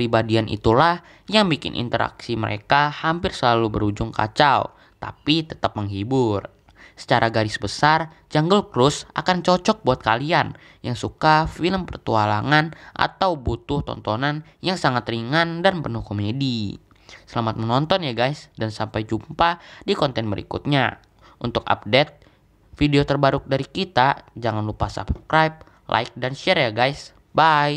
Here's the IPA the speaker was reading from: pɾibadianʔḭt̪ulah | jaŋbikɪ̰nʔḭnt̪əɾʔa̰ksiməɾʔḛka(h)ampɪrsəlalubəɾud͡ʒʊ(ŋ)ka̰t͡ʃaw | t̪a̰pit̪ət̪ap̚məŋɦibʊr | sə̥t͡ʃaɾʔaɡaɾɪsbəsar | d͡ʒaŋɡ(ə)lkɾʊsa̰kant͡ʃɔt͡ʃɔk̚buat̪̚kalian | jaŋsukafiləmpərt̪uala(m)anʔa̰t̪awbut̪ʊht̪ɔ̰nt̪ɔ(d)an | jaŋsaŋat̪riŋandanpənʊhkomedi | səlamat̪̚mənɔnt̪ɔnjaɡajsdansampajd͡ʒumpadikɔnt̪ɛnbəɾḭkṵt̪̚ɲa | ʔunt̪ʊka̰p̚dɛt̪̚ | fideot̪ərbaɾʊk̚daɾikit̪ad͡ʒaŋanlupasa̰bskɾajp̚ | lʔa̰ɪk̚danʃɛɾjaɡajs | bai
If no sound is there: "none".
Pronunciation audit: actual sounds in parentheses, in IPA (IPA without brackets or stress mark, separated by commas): h, ŋ, ə, ŋ, n